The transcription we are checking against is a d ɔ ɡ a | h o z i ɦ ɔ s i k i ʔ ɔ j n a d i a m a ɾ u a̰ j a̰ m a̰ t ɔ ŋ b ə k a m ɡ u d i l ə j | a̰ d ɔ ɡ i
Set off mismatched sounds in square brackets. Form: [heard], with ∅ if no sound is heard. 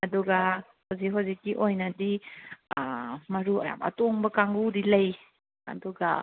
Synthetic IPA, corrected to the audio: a d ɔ ɡ a | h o z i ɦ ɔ [z] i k i ʔ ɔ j n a d i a m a ɾ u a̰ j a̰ m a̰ t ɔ ŋ b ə k a [ŋ] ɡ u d i l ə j | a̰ d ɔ ɡ [a]